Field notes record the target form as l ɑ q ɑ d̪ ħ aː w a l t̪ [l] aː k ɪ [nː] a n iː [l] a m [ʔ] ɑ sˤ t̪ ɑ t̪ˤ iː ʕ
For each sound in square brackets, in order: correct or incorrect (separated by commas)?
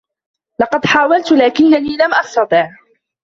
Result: correct, correct, correct, correct